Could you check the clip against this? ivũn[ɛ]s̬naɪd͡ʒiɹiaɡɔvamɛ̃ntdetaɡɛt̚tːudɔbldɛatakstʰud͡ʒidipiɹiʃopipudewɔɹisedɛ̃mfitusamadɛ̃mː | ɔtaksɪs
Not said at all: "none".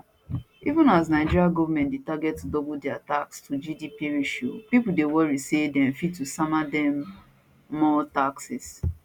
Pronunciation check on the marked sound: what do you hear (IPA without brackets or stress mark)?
a